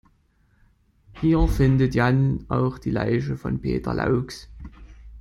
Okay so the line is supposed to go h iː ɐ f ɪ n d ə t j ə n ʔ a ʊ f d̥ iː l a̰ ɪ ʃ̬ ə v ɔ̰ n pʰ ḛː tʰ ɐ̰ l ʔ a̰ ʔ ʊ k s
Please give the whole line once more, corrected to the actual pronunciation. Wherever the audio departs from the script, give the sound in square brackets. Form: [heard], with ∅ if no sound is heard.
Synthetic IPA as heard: h iː ɐ f ɪ n d ə t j [a] n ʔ a ʊ [x] d̥ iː l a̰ ɪ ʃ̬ ə [f] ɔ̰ n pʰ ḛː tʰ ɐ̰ l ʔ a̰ [∅] ʊ k s